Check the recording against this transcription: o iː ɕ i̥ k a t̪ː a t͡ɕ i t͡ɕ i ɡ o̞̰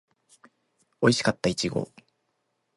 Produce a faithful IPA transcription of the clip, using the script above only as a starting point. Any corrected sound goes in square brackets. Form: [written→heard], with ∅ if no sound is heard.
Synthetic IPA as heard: o [iː→i] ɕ i̥ k a t̪ː a [t͡ɕ→∅] i t͡ɕ i ɡ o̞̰